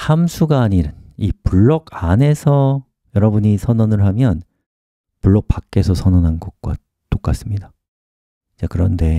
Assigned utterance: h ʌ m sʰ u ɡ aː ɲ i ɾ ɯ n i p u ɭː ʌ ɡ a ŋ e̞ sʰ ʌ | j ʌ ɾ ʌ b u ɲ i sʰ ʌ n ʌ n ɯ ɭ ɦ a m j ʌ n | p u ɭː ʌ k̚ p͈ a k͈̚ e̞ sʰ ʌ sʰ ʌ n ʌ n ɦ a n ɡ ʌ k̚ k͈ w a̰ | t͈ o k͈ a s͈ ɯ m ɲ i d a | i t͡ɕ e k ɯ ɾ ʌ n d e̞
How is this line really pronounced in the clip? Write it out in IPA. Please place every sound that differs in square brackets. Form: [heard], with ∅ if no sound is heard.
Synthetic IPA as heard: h [a] m sʰ u ɡ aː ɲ i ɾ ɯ n i p u ɭː ʌ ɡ a [n] e̞ sʰ ʌ | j ʌ ɾ ʌ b u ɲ i sʰ ʌ n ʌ n ɯ ɭ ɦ a m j ʌ n | p u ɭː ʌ k̚ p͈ a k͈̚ e̞ sʰ ʌ sʰ ʌ n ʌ n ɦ a n ɡ ʌ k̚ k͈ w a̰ | t͈ o k͈ a s͈ ɯ m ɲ i d a | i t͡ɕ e k ɯ ɾ ʌ n d e̞